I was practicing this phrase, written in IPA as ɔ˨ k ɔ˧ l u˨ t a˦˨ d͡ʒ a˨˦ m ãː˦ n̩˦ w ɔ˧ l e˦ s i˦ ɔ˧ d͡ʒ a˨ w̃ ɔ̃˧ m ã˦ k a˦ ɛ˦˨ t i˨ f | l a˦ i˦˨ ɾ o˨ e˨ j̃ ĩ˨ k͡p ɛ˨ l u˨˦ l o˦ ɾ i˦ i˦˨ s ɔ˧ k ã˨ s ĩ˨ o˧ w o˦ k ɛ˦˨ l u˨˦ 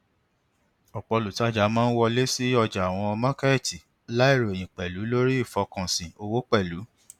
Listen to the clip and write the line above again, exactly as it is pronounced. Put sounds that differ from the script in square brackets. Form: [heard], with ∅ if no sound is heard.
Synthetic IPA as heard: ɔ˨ [k͡p] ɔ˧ l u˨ t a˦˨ d͡ʒ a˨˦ m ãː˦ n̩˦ w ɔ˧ l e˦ s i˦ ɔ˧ d͡ʒ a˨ w̃ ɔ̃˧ m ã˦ k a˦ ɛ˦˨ t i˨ [∅] | l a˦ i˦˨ ɾ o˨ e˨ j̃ ĩ˨ k͡p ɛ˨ l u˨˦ l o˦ ɾ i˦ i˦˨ [f] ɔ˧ k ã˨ s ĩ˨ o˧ w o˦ [k͡p] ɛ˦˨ l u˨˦

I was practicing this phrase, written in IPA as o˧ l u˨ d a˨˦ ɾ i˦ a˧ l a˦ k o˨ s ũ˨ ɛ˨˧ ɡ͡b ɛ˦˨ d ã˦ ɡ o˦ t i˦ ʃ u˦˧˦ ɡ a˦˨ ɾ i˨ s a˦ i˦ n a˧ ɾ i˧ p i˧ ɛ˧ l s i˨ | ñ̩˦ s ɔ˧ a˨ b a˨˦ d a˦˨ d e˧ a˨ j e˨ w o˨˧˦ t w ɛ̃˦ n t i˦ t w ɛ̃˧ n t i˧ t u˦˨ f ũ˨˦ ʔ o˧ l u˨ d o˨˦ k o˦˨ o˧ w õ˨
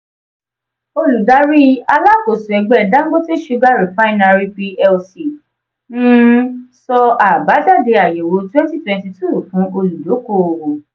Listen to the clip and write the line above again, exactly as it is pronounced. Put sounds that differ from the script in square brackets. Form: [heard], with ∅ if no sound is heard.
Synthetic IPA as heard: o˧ l u˨ d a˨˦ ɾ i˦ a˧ l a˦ k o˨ s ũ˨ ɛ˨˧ ɡ͡b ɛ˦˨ d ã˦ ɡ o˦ t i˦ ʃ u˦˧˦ ɡ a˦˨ ɾ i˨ [f] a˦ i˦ n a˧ ɾ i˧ p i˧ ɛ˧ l s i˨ | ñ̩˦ s ɔ˧ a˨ b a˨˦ d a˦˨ d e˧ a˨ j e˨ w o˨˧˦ t w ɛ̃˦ n t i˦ t w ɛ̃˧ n t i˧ t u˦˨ f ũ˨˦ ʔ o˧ l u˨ d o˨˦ k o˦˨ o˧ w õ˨

